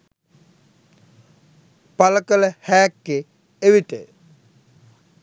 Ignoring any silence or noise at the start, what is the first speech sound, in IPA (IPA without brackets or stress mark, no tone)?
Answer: p